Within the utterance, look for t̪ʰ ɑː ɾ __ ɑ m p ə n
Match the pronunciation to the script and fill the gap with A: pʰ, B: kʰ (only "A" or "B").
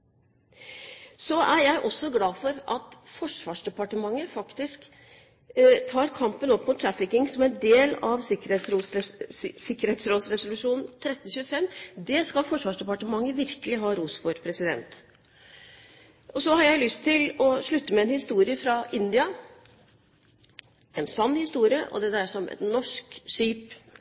B